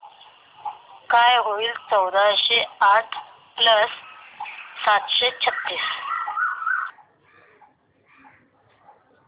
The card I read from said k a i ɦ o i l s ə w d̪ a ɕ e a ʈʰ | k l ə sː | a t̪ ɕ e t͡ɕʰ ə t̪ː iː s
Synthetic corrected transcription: k a j ɦ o i l t͡s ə w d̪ a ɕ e a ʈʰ | p l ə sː | a t̪ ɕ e t͡ɕʰ ə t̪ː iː s

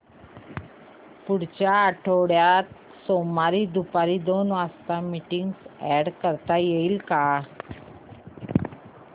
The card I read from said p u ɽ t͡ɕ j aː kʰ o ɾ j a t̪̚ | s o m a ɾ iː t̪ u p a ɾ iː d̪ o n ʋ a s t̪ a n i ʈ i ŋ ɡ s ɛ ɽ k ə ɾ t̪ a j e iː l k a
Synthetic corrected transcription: p u ɽ t͡ɕ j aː ʈʰ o ɽ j a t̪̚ | s o m a ɾ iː d̪ u p a ɾ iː d̪ o n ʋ a s t̪ a m i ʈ i ŋ ɡ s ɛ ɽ k ə ɾ t̪ a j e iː l k a

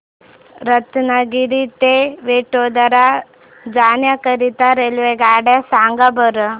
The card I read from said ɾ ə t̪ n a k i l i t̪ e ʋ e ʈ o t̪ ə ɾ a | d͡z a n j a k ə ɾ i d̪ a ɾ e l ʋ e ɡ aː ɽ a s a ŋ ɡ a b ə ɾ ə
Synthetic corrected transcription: ɾ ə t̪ n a ɡ i ɾ i t̪ e ʋ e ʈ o d̪ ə ɾ a | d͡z a n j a k ə ɾ i t̪ a ɾ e l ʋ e ɡ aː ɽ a s a ŋ ɡ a b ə ɾ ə

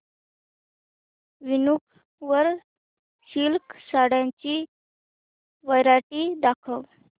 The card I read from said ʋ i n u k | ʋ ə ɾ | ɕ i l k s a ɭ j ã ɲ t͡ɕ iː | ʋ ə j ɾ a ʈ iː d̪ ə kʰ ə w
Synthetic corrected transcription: ʋ i n u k | ʋ ə ɾ | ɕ i l k s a ɽ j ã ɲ t͡ɕ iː | ʋ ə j ɾ a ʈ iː d̪ a kʰ ə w

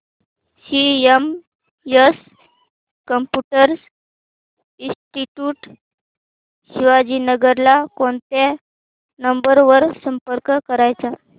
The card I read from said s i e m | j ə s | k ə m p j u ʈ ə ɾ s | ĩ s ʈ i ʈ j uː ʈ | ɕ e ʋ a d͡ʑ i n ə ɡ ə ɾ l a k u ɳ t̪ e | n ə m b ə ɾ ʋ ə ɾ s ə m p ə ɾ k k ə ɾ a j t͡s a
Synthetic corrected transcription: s i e m | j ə s | k ə m p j u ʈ ə ɾ s | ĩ s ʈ i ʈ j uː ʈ | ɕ i ʋ a d͡ʑ i n ə ɡ ə ɾ l a k o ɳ t̪ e | n ə m b ə ɾ ʋ ə ɾ s ə m p ə ɾ k k ə ɾ a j t͡s a

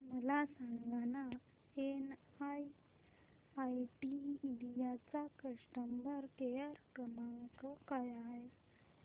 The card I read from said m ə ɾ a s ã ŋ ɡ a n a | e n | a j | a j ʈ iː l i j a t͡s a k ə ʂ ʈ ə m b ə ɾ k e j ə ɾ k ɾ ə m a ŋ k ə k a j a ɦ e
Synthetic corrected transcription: m ə l a s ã ŋ ɡ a n a | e n | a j | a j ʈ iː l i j a t͡s a k ə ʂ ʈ ə m b ə ɾ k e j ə ɾ k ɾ ə m a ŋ k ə k a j a ɦ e

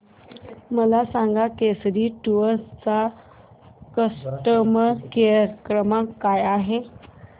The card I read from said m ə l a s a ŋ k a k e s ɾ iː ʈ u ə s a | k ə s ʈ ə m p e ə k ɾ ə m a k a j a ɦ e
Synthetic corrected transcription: m ə l a s a ŋ ɡ a k e s ɾ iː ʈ u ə t͡s a | k ə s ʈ ə m k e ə k ɾ ə m a k a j a ɦ e

